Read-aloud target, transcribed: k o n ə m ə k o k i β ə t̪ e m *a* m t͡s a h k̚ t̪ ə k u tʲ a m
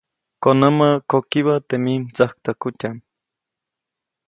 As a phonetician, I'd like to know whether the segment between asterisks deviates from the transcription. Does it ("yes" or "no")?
yes